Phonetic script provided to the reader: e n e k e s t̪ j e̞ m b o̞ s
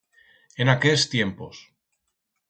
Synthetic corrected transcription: e n a k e s t̪ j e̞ m p o̞ s